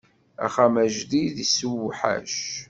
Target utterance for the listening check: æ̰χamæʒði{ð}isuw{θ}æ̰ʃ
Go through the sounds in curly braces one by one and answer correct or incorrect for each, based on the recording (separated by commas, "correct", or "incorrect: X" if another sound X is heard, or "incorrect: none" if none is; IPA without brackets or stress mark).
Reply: correct, incorrect: ħ